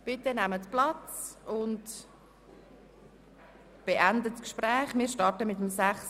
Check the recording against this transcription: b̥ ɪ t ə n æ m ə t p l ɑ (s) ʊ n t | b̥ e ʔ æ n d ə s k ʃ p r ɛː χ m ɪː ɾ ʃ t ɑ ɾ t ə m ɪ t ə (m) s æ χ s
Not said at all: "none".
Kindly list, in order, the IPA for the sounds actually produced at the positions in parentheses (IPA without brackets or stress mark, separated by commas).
t͡s, m